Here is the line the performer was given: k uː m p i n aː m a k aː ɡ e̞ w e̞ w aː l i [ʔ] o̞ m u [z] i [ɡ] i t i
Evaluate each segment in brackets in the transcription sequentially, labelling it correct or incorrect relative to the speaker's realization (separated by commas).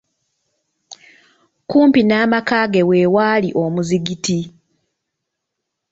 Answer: correct, correct, correct